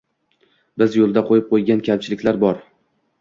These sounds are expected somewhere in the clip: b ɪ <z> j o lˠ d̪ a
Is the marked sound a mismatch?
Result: no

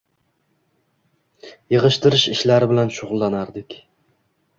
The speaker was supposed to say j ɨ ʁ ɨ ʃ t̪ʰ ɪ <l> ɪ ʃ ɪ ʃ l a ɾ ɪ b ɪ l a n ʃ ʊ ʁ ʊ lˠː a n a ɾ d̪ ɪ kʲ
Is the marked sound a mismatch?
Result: yes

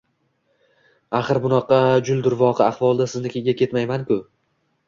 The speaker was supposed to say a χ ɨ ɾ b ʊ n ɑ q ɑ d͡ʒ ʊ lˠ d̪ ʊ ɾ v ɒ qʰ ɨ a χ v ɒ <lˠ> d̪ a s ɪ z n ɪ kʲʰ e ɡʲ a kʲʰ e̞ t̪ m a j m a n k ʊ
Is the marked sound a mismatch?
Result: no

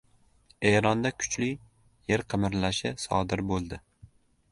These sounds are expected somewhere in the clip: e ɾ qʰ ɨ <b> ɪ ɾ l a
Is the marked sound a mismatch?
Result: yes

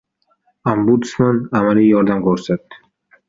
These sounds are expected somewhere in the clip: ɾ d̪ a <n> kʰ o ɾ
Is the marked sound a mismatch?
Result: yes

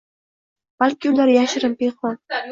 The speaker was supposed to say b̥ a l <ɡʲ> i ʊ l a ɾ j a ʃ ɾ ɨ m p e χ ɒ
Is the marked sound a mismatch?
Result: yes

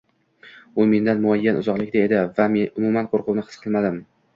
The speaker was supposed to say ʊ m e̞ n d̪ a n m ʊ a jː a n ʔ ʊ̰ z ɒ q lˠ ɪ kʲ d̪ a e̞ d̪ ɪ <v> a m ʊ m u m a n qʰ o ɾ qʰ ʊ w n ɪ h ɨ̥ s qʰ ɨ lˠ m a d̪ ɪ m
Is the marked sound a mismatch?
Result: no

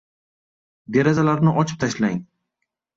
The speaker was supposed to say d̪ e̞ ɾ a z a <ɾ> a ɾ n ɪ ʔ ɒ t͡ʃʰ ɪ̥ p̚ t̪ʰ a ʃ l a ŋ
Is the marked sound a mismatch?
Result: yes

